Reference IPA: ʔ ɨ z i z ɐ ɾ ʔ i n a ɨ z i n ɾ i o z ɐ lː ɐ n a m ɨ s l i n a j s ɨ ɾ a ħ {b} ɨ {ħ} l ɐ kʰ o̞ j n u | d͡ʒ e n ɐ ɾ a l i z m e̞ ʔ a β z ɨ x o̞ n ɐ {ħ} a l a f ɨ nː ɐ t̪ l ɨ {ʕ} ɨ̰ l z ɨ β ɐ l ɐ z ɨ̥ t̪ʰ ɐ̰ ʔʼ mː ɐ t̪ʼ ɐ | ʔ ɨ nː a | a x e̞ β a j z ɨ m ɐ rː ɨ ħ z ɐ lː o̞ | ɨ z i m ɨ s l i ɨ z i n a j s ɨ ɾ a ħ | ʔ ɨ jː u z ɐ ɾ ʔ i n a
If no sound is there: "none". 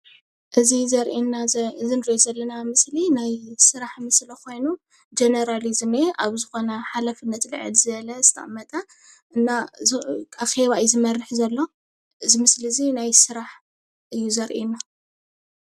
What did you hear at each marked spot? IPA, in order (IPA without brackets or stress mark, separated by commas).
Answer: m, s, ħ, ʕ